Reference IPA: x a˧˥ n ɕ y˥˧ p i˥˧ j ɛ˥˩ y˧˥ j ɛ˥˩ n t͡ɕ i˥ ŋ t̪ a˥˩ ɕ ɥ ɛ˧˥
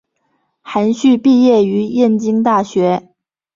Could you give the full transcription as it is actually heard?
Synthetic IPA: x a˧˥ n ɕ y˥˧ p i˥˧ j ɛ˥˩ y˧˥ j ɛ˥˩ n t͡ɕ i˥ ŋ t̪ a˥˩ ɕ ɥ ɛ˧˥